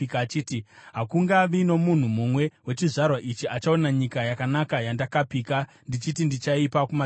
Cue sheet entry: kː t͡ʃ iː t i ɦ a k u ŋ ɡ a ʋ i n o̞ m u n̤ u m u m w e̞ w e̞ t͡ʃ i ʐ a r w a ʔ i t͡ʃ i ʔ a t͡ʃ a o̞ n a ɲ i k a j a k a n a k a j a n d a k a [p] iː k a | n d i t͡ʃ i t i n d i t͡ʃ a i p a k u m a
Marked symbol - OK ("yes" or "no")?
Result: yes